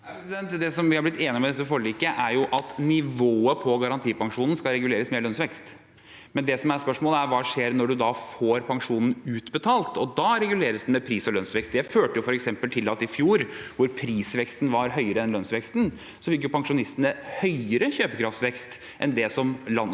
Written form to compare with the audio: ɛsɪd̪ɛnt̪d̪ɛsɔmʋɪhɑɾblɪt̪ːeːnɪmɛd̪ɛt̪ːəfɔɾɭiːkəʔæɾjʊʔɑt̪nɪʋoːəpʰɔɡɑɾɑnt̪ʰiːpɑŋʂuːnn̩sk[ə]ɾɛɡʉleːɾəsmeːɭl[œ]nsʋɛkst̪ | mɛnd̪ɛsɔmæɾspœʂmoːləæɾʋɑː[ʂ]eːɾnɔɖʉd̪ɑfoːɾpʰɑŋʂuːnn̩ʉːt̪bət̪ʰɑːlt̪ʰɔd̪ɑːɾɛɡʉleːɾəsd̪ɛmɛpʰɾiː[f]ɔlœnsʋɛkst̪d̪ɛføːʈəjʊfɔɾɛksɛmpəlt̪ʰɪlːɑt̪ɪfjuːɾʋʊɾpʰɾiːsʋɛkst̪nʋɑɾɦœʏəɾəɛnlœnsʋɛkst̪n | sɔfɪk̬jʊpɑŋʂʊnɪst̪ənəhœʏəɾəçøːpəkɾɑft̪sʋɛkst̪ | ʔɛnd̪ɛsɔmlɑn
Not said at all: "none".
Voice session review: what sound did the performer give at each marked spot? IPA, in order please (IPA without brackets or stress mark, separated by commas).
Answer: ɑ, œ, ʂ, s